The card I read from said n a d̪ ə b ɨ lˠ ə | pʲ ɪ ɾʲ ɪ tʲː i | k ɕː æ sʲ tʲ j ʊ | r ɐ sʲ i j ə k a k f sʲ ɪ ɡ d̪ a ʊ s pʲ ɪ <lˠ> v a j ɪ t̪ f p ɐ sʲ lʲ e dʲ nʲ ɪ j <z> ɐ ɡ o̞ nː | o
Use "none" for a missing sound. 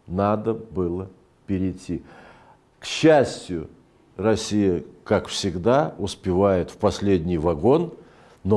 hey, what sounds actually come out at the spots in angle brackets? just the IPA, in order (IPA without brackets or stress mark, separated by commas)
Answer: none, v